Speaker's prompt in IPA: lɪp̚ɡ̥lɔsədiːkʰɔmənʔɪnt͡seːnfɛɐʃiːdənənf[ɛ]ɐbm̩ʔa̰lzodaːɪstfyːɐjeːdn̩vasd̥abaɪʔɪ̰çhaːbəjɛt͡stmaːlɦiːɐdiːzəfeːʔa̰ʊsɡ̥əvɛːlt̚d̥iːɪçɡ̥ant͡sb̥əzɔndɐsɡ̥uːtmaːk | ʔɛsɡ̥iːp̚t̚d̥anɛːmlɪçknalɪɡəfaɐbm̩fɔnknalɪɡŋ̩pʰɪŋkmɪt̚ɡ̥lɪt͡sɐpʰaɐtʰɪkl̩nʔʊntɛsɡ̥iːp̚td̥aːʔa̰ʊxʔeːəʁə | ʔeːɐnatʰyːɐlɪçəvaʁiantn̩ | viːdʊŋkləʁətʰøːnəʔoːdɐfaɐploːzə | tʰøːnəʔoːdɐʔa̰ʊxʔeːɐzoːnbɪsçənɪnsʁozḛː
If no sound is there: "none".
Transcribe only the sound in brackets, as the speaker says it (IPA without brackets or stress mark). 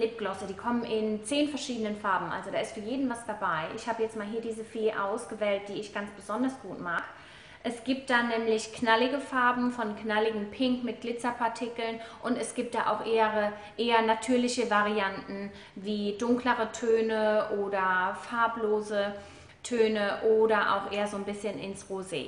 a